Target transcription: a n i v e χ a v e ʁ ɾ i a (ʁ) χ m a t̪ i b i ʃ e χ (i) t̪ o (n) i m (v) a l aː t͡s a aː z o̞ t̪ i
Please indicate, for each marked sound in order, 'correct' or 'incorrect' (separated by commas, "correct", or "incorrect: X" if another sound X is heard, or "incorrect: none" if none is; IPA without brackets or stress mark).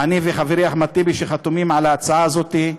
incorrect: none, incorrect: a, incorrect: m, incorrect: ʕ